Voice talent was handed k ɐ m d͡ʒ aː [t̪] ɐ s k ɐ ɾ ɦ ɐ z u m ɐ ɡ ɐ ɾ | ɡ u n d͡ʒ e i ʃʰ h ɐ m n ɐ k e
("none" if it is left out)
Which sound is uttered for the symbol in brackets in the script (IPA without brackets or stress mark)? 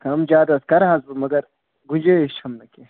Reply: d̪